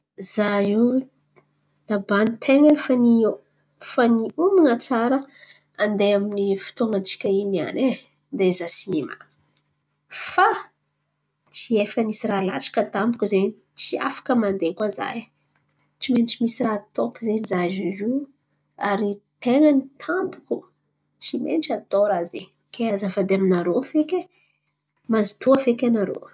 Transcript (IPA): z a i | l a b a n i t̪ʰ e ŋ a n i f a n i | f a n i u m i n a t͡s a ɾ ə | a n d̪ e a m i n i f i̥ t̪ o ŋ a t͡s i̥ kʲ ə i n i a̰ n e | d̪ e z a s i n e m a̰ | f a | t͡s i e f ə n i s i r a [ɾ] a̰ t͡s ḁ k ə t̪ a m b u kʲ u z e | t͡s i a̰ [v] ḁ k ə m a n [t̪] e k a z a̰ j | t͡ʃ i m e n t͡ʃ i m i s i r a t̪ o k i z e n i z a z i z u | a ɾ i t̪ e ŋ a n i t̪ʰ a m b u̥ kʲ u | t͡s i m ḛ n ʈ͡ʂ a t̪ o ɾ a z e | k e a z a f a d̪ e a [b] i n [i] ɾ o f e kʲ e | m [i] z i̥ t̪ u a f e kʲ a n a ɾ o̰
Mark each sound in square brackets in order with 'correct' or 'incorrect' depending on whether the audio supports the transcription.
incorrect, incorrect, incorrect, incorrect, incorrect, incorrect

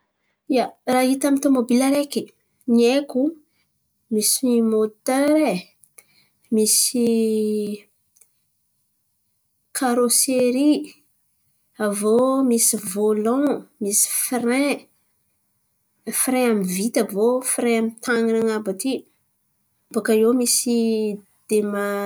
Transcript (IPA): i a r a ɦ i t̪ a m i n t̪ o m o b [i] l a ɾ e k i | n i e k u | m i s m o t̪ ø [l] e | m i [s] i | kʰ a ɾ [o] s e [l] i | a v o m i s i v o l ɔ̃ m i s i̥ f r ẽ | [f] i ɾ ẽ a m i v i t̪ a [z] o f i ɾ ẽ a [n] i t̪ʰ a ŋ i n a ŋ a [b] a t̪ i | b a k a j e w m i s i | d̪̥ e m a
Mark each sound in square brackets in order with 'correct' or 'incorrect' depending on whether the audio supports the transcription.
correct, incorrect, correct, correct, incorrect, correct, incorrect, incorrect, correct

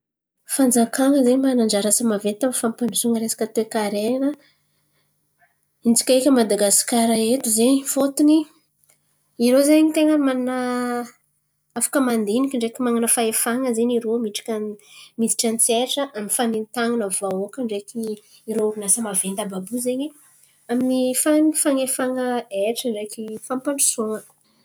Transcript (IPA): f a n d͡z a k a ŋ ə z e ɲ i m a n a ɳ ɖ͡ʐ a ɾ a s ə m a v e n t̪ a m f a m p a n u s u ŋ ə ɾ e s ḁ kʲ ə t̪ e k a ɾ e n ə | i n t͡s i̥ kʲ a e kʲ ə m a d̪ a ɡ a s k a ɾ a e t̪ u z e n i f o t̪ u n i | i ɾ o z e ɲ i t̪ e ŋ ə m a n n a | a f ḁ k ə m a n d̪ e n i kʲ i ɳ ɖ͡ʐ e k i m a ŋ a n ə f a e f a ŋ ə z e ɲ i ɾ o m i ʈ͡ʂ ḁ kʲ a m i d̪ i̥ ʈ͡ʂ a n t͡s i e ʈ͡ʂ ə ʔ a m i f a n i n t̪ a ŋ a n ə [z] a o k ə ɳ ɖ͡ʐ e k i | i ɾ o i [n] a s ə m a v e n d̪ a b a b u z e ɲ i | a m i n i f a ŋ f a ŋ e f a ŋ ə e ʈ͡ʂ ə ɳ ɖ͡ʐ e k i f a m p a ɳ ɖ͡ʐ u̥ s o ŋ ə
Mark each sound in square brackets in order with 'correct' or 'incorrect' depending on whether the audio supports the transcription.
incorrect, correct

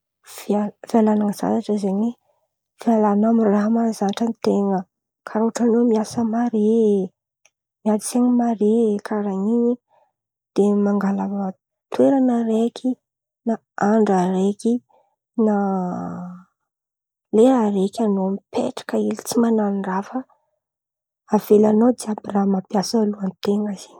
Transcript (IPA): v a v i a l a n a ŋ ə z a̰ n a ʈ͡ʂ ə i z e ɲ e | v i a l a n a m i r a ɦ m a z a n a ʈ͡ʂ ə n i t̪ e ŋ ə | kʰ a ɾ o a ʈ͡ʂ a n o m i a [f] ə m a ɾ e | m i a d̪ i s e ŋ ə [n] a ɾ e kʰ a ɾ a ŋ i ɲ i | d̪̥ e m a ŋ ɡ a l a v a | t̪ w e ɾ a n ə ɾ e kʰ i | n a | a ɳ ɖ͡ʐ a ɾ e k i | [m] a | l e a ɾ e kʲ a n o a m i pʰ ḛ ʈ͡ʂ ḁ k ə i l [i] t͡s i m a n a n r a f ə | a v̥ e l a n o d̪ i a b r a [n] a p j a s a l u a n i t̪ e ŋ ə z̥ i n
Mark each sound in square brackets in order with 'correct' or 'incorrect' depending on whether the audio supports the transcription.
incorrect, incorrect, incorrect, correct, incorrect

